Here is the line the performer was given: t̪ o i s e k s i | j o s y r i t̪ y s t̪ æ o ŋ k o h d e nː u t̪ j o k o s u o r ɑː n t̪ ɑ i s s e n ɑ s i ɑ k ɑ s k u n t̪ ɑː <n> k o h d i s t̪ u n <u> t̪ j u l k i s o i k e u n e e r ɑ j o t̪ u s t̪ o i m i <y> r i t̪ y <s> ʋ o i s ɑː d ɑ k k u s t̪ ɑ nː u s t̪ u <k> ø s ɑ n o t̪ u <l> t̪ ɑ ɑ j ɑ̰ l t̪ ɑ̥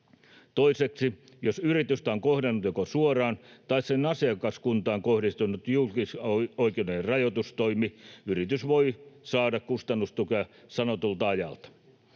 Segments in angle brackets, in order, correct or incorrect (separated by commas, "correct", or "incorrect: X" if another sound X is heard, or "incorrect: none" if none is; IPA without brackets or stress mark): incorrect: ŋ, correct, correct, correct, correct, correct